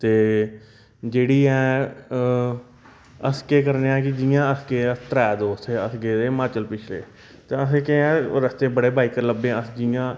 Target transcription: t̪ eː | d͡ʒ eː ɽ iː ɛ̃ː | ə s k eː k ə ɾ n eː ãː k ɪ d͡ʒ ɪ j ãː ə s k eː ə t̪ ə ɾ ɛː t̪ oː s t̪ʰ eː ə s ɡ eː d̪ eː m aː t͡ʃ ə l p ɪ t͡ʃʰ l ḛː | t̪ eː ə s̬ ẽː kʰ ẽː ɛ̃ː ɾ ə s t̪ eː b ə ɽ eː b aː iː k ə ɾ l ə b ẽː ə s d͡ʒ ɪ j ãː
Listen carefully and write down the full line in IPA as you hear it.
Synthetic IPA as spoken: t̪ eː | d͡ʒ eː ɽ iː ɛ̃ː | ə s k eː k ə ɾ n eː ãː k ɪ d͡ʒ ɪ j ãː ə s k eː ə t̪ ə ɾ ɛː d̪ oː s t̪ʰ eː ə s ɡ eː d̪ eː m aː t͡ʃ ə l p ɪ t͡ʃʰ l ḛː | t̪ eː ə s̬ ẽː k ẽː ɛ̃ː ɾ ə s t̪ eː b ə ɽ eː b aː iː k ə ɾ l ə b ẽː ə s d͡ʒ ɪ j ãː